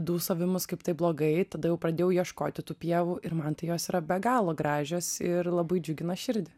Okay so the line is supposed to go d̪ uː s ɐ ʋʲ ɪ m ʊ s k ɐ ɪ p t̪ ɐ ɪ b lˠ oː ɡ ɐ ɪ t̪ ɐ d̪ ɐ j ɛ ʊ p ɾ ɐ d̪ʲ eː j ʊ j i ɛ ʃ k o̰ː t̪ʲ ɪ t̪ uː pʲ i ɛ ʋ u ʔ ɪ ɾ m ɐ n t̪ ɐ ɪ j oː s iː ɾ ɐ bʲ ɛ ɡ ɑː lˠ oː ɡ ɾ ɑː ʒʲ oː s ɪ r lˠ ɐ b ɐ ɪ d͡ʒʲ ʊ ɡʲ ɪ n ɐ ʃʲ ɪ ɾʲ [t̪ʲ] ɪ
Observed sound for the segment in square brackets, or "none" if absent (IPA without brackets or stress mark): d̪ʲ